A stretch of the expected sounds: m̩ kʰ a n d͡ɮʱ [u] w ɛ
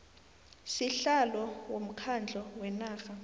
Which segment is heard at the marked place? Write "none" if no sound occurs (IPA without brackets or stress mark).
ɔ